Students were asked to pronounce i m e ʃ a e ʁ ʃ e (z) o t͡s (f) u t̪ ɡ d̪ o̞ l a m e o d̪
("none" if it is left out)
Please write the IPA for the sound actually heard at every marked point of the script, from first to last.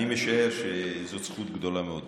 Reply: z, χ

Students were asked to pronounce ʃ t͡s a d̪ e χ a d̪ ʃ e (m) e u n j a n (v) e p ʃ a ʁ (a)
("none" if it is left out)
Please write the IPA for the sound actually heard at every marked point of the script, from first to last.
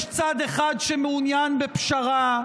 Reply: m, b, a

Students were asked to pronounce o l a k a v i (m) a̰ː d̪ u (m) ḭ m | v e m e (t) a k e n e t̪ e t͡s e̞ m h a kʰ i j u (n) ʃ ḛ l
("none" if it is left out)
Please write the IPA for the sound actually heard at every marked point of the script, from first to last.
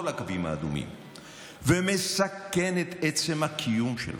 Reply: m, m, s, m

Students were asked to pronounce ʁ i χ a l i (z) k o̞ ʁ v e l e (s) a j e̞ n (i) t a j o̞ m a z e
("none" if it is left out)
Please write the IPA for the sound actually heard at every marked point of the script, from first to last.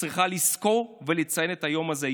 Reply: s, t͡s, e

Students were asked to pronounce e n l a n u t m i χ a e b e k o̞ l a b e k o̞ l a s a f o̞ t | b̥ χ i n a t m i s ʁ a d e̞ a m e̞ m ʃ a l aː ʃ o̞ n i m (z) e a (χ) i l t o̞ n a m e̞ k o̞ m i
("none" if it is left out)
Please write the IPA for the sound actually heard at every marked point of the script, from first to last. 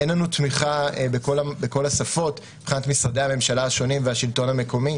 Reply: v, ʃ

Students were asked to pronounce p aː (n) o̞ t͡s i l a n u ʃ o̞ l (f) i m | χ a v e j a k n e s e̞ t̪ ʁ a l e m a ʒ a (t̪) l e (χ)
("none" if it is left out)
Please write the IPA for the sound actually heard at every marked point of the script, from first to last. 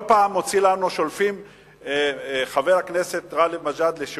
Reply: m, f, d̪, ʃ

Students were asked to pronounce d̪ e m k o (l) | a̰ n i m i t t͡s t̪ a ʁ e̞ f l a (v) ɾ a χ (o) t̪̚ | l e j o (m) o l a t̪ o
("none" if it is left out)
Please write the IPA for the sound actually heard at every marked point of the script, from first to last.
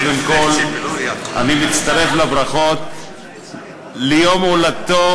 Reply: l, b, o, m

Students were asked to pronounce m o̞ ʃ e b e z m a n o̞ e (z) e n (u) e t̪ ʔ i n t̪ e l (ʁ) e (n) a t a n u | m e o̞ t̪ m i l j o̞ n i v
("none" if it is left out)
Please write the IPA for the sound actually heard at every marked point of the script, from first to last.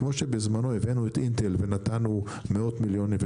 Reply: v, u, v, n

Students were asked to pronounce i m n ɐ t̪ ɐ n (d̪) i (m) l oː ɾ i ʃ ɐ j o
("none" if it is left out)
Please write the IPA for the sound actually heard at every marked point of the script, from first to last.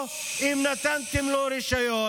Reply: t̪, m

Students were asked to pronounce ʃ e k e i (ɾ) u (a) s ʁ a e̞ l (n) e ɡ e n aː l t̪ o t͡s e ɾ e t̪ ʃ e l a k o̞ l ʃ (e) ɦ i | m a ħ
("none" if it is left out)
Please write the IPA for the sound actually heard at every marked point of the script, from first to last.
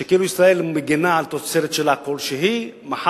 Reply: l, i, m, e

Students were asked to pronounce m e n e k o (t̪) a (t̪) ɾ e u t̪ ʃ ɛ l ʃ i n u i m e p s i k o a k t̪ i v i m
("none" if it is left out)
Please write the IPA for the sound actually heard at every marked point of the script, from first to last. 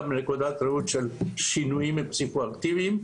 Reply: d̪, t̪

